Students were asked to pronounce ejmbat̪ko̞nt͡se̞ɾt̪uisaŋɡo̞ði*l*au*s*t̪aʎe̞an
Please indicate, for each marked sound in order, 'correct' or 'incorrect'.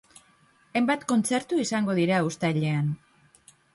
incorrect, correct

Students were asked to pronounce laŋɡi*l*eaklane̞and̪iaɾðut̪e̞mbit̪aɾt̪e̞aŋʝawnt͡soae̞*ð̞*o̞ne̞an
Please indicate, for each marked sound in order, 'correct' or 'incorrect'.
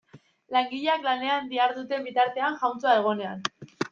incorrect, incorrect

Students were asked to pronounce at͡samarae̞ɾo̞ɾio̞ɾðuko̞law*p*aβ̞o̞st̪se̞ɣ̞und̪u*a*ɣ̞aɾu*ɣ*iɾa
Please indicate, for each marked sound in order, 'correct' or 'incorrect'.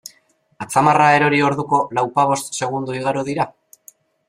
correct, incorrect, incorrect

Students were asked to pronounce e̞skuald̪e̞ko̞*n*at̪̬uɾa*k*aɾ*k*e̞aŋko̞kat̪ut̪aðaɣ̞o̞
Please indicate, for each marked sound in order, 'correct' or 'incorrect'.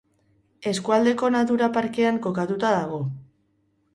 correct, incorrect, correct

